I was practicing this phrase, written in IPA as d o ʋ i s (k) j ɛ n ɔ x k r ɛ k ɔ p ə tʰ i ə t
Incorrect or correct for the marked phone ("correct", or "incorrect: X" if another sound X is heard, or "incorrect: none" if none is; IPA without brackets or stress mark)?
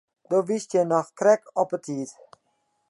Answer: incorrect: t